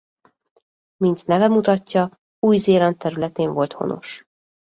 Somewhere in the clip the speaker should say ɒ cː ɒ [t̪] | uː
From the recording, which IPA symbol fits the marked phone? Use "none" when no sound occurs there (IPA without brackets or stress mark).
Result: none